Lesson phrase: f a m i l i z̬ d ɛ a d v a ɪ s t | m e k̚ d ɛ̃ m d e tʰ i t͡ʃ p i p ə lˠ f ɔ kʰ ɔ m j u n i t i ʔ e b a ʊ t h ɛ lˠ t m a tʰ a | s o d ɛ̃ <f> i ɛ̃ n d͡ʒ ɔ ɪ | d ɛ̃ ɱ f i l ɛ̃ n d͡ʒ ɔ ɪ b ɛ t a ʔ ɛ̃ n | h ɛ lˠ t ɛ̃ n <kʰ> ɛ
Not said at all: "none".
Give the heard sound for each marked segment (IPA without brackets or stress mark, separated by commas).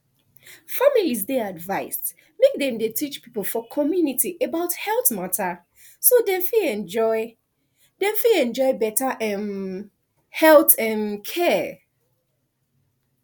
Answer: f, kʰ